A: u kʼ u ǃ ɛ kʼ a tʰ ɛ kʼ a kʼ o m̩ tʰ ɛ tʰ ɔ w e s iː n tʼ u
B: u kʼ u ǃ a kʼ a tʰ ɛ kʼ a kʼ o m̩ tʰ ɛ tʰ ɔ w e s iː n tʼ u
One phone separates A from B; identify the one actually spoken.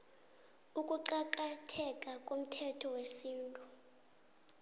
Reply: B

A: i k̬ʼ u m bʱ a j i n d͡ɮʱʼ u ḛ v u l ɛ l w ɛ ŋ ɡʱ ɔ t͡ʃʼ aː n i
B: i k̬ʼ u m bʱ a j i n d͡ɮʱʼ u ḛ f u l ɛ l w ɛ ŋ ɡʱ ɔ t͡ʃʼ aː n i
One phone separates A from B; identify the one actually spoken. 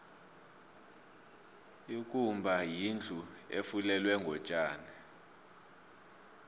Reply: B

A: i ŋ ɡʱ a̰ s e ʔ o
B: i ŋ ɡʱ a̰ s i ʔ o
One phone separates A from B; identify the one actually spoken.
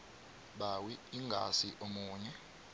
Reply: B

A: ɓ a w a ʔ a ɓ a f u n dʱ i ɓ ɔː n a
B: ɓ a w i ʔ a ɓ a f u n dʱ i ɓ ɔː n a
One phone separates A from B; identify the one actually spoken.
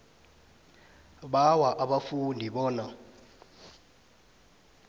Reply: A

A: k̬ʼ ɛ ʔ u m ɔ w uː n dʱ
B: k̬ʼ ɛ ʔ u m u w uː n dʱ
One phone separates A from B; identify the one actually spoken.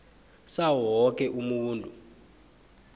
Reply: B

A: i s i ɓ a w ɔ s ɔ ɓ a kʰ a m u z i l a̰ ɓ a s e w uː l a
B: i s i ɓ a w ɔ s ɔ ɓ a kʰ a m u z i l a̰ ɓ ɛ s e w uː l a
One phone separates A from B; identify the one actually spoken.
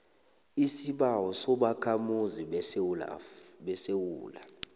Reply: B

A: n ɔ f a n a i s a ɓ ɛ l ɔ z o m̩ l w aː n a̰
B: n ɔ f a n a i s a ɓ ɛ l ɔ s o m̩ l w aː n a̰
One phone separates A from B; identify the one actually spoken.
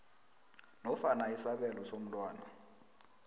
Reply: B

